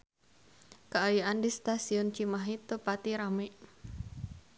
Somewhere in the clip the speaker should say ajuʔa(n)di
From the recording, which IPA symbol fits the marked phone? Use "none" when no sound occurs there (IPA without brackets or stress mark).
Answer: n